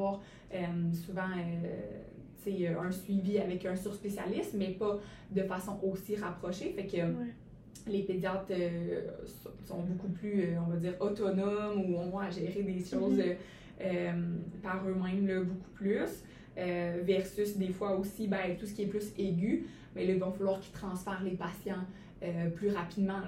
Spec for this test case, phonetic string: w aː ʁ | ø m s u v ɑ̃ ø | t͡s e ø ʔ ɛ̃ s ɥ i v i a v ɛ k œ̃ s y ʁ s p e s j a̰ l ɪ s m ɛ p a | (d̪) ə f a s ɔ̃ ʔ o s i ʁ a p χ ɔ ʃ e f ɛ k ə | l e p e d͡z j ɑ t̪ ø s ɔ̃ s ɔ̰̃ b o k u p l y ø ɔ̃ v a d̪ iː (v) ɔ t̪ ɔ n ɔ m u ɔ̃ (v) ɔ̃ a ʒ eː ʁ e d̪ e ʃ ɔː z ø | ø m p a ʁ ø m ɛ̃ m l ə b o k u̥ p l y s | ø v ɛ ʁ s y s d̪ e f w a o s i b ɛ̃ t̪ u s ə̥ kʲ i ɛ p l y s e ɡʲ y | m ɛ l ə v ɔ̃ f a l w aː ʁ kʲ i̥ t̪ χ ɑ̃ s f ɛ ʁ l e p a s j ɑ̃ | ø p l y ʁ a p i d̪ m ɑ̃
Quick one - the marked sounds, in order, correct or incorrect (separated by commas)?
correct, incorrect, correct